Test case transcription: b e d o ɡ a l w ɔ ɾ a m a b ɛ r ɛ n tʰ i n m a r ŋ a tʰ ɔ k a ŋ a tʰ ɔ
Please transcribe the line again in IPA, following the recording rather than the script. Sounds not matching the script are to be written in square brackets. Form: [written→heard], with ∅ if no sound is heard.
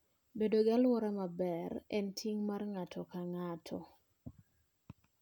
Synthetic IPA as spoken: b e d o ɡ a l w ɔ ɾ a m a b ɛ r ɛ n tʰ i [n→ŋ] m a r ŋ a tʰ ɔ k a ŋ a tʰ ɔ